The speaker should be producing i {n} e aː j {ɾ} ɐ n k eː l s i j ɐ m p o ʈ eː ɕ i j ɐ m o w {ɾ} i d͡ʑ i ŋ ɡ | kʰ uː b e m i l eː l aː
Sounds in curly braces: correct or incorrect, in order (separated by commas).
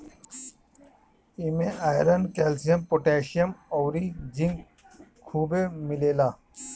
incorrect, correct, correct